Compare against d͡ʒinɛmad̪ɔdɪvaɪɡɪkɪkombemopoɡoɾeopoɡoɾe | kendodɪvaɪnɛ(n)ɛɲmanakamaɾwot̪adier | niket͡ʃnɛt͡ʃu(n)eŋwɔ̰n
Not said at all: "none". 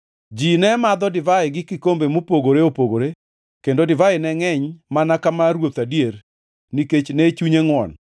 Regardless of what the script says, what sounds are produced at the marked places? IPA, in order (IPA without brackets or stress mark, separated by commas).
ŋ, ɲ